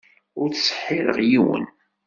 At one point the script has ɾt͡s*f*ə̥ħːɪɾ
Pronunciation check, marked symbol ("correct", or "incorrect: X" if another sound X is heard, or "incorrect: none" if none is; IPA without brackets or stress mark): incorrect: s